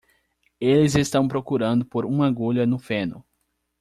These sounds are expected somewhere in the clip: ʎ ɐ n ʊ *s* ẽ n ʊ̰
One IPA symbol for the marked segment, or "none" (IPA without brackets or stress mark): f